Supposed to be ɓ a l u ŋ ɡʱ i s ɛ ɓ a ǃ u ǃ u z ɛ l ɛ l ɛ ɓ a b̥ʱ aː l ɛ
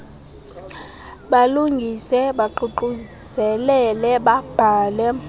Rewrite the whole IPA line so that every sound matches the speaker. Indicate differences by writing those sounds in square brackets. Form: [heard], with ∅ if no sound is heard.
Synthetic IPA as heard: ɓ a l u ŋ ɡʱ i s ɛ ɓ a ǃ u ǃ u z ɛ l ɛ l ɛ ɓ a b̥ʱ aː l ɛ